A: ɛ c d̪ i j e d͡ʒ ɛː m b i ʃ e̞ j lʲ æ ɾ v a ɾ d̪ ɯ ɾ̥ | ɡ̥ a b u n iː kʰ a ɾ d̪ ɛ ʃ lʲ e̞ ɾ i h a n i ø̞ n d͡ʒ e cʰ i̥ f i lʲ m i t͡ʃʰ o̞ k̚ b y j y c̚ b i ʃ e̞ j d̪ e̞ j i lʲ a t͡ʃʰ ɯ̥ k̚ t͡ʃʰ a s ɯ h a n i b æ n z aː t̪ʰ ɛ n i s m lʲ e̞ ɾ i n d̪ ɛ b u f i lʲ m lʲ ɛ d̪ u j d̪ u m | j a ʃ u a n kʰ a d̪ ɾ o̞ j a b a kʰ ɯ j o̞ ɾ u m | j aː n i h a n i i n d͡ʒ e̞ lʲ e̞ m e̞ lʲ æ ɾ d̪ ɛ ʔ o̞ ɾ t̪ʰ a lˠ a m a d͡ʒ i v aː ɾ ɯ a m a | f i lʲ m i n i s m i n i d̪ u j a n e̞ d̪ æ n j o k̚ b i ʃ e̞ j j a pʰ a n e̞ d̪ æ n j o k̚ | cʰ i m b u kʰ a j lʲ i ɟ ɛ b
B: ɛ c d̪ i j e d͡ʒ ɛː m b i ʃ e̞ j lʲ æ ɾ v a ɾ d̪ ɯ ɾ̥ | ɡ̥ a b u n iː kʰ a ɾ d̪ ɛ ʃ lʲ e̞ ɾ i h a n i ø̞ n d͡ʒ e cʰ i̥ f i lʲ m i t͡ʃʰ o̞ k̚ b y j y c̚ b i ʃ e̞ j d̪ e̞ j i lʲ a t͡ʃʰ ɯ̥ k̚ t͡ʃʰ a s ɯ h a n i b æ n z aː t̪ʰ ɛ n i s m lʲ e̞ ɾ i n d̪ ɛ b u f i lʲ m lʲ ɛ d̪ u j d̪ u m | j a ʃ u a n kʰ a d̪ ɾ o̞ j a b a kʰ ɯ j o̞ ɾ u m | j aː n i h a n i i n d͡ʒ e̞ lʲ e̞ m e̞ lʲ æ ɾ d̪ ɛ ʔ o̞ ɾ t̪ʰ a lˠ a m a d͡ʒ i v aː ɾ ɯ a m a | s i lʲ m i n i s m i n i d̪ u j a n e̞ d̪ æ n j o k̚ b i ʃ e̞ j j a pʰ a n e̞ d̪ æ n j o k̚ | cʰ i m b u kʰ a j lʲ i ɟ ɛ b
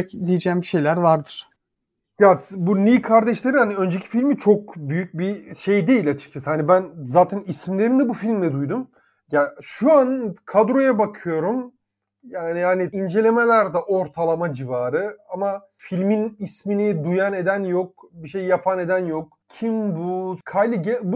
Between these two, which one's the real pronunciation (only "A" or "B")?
A